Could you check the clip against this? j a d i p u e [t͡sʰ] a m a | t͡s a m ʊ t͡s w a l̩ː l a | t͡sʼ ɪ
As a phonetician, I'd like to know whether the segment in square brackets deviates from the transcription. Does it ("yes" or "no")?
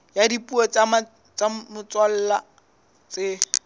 yes